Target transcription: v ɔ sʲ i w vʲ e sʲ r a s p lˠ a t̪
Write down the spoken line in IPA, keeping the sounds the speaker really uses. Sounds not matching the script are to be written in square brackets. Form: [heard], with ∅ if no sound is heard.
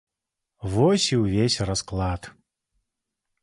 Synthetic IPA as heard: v ɔ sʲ i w vʲ e sʲ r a s [k] lˠ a t̪